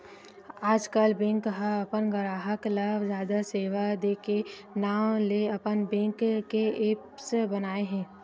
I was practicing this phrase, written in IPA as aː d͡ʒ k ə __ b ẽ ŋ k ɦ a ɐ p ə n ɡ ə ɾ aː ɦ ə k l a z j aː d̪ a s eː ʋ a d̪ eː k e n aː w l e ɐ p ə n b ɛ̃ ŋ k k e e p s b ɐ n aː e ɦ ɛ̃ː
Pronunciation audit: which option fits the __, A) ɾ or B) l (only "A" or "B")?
B